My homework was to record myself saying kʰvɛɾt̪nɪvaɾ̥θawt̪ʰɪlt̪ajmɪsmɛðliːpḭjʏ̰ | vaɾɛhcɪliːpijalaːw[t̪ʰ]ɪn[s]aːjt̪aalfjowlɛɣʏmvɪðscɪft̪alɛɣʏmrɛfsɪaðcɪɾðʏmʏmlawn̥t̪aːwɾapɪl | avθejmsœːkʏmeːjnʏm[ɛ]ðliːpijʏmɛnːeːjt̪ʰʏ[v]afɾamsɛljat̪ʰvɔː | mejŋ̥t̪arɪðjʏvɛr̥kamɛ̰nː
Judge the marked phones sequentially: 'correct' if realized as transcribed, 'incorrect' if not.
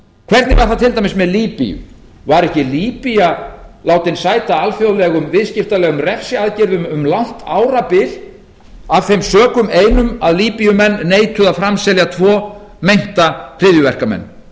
incorrect: t̪, correct, incorrect: a, incorrect: ð

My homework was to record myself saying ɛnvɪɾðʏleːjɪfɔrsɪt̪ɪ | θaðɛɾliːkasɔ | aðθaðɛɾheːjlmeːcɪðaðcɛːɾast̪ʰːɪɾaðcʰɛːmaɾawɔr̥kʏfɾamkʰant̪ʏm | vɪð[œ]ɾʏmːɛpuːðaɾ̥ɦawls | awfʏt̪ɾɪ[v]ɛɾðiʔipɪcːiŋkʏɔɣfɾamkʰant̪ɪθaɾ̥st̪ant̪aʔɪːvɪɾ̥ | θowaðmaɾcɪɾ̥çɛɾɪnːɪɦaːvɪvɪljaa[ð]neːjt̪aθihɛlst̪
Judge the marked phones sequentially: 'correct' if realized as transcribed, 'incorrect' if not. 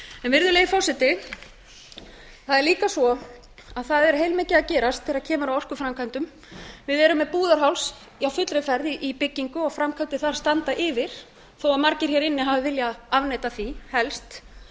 incorrect: ɛ, incorrect: f, incorrect: v

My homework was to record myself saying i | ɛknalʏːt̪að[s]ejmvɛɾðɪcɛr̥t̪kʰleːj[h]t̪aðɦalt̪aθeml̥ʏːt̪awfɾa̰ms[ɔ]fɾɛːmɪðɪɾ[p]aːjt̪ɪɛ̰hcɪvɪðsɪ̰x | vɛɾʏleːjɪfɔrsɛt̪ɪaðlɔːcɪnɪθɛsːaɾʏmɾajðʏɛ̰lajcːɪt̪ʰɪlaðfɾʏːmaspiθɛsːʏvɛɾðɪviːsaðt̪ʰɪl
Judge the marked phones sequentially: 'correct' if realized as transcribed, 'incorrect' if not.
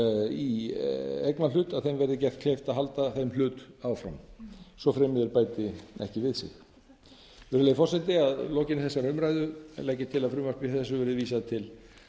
incorrect: θ, incorrect: f, correct, correct

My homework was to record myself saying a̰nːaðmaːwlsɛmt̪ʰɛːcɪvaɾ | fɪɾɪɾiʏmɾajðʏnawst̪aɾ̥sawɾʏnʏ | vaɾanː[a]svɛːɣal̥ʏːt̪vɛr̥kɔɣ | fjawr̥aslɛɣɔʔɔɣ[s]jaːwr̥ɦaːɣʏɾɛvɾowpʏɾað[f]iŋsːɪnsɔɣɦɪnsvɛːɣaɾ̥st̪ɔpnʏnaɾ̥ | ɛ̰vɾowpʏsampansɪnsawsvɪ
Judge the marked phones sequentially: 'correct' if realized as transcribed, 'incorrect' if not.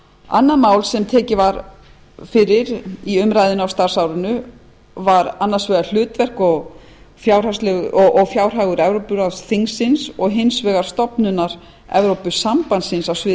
correct, incorrect: f, incorrect: θ

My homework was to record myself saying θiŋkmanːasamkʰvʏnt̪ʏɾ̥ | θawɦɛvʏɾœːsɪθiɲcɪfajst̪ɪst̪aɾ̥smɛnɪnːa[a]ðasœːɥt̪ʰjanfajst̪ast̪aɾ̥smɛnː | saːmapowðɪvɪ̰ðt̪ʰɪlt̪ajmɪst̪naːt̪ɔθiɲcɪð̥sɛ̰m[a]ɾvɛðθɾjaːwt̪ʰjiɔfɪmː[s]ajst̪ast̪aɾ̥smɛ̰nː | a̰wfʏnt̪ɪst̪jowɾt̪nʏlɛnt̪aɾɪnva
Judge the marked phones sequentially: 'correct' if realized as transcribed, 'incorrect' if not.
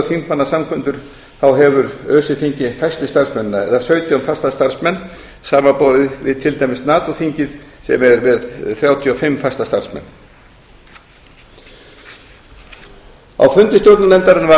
incorrect: ɛ, incorrect: ɛ, incorrect: f

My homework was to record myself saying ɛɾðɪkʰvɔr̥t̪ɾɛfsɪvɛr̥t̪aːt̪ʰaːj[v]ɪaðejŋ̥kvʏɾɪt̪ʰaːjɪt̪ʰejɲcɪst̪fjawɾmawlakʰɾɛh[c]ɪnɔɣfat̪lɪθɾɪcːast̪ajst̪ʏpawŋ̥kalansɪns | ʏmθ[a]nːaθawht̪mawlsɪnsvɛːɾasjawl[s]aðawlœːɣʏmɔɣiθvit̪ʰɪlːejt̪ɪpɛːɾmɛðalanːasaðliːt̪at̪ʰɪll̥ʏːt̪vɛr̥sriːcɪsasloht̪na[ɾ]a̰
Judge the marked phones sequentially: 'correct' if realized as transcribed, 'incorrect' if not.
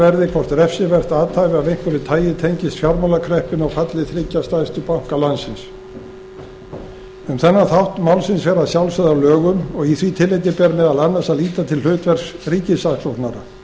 correct, incorrect: p, incorrect: ɛ, correct, correct

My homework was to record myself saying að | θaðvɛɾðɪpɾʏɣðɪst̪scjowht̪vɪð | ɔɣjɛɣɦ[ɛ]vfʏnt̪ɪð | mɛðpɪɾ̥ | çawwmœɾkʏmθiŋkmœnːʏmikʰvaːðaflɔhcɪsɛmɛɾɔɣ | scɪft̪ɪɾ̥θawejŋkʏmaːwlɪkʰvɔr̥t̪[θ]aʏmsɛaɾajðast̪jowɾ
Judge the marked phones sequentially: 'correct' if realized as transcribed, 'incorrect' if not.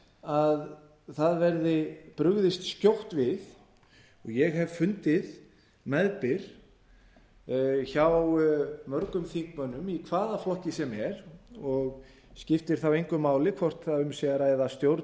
correct, correct

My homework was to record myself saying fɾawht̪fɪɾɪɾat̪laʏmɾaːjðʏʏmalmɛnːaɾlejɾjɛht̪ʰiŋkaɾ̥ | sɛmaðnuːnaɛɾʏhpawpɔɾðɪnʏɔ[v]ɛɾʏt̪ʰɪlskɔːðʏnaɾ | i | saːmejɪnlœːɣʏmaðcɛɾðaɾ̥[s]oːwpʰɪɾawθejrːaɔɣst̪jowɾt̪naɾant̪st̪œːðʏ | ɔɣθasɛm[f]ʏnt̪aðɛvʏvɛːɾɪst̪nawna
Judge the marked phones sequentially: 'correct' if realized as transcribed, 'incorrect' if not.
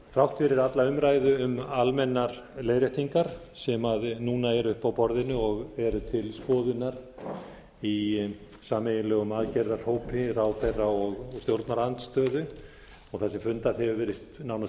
incorrect: ɣ, incorrect: h, correct

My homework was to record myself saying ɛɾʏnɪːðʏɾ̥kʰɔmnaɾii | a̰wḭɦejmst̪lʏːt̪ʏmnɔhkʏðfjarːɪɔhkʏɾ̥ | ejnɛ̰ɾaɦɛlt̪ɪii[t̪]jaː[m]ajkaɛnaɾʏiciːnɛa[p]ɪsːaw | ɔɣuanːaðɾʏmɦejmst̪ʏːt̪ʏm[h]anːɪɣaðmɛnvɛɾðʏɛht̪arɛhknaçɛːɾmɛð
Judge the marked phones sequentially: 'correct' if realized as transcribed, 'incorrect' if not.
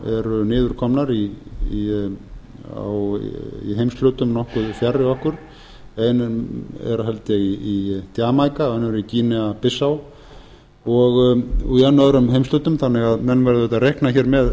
correct, correct, correct, incorrect: θ

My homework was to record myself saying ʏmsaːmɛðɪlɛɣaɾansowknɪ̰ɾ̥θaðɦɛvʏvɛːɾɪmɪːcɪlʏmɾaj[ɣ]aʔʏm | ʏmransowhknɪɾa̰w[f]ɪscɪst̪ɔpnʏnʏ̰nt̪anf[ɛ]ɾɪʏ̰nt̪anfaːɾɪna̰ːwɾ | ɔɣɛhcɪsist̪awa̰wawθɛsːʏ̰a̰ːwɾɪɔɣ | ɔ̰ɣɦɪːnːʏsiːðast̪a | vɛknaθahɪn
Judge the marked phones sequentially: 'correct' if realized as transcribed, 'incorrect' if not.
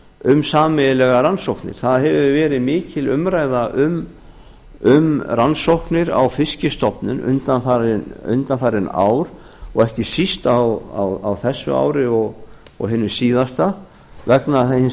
incorrect: ð, correct, incorrect: a

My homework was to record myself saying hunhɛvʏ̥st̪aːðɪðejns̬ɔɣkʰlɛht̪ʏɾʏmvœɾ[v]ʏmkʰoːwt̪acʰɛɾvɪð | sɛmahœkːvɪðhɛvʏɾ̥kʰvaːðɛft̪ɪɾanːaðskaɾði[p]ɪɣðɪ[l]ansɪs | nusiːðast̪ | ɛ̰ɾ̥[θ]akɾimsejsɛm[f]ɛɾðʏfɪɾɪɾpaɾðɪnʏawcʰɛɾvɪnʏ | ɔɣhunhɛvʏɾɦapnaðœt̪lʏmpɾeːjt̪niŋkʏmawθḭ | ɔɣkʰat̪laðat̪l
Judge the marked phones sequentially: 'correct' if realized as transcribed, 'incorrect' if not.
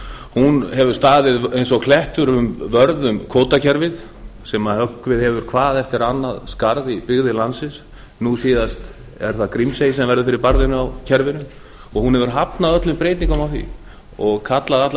incorrect: ð, correct, correct, correct, incorrect: v

